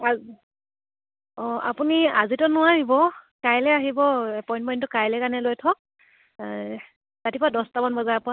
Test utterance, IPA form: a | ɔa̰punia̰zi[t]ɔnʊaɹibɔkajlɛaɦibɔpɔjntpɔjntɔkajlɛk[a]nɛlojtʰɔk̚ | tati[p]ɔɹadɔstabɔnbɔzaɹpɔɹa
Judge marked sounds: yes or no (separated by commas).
yes, yes, yes